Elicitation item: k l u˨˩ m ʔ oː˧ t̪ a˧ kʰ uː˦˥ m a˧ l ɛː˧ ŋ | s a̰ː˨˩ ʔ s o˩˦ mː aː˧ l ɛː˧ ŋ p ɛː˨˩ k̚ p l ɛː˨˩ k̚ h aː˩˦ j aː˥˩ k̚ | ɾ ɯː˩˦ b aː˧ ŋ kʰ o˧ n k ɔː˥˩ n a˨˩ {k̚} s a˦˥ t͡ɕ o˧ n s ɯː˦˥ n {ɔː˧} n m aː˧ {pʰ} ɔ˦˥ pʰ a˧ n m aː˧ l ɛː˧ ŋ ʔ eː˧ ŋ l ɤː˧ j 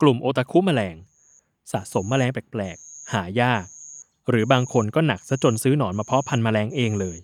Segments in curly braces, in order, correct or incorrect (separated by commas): correct, incorrect, correct